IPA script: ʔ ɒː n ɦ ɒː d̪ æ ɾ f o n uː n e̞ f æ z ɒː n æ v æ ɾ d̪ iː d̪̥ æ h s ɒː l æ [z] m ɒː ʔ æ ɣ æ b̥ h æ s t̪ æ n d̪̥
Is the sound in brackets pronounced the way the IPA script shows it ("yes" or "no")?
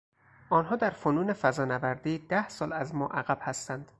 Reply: yes